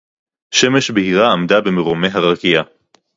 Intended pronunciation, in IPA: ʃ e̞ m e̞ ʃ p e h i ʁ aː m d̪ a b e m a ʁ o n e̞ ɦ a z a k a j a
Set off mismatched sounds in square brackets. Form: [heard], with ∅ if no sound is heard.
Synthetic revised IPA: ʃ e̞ m e̞ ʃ [b] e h i ʁ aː m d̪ a b e m [e] ʁ o [m] e̞ ɦ a [ʁ] a k [i] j a